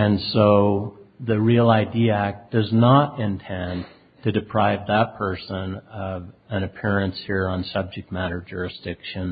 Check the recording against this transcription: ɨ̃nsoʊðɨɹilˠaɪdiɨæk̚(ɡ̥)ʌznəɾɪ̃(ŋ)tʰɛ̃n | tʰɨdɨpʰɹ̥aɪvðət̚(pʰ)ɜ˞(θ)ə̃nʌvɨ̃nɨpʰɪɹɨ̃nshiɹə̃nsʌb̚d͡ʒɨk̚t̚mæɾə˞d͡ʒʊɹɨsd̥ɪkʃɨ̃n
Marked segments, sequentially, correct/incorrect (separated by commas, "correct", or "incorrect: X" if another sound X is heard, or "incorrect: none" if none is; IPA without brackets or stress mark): incorrect: d̥, incorrect: n, correct, incorrect: s